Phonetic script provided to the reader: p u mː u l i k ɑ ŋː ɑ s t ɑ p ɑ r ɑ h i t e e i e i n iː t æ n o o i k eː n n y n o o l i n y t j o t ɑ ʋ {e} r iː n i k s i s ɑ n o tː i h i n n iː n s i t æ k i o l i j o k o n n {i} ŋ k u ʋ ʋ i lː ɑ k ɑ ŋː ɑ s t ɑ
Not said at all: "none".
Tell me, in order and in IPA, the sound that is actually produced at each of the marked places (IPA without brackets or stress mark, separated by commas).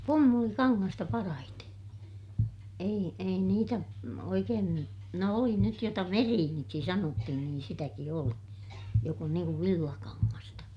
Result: e, iː